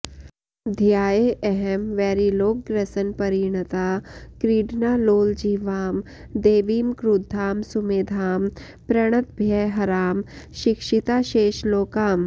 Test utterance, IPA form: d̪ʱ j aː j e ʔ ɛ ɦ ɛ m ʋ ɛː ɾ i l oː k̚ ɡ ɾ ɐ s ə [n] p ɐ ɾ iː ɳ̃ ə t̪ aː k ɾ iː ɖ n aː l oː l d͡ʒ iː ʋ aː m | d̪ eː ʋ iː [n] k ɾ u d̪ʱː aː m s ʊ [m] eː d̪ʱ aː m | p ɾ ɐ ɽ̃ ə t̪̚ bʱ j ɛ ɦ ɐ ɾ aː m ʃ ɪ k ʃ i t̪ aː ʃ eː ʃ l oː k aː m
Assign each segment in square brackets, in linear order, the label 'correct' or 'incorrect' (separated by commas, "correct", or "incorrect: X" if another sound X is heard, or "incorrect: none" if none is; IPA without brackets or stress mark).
correct, incorrect: m, correct